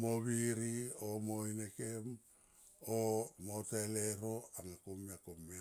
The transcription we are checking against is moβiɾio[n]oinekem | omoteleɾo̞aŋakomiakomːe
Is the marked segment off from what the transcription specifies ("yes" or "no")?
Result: yes